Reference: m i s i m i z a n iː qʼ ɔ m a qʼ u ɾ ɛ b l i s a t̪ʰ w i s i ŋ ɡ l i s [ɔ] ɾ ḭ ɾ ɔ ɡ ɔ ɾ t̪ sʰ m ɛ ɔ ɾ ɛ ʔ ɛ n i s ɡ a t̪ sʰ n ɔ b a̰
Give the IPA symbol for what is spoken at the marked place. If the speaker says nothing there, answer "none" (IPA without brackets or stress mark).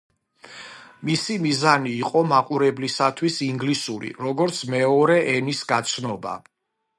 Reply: u